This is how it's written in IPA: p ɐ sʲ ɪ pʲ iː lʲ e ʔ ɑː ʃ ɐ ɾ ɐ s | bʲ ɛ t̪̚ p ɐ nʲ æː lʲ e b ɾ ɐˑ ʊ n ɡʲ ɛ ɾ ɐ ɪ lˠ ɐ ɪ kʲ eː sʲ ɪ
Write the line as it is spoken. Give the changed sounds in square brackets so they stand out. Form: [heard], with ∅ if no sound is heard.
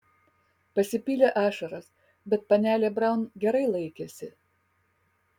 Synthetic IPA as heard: p ɐ sʲ ɪ pʲ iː lʲ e ʔ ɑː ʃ ɐ ɾ ɐ s | bʲ ɛ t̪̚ p ɐ nʲ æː lʲ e b ɾ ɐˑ ʊ n ɡʲ ɛ ɾ ɐ ɪ lˠ ɐ ɪ kʲ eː sʲ ɪ